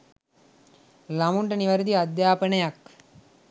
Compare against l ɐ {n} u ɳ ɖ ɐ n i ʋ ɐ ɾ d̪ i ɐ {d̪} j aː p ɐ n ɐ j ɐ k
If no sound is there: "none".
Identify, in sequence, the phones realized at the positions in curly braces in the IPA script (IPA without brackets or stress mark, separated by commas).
m, d̪